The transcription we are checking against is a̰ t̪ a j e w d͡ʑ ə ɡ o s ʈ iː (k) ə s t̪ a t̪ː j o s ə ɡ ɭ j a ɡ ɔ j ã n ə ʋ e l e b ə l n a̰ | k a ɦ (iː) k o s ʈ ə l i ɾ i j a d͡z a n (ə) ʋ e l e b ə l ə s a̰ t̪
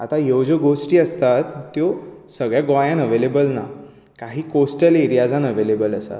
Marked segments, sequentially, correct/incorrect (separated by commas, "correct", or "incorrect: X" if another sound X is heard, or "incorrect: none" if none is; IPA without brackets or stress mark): incorrect: none, correct, correct